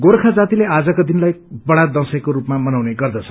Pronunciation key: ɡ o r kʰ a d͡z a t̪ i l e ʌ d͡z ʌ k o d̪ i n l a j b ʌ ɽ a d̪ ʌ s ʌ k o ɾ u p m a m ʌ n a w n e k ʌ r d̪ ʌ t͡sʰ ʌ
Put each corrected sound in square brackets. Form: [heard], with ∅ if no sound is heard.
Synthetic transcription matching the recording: ɡ o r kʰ a d͡z a t̪ i l e [a] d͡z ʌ k o d̪ i n l a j b ʌ ɽ a d̪ ʌ s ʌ k o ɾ u p m a m ʌ n a w n e [ɡ] ʌ r d̪ ʌ t͡sʰ ʌ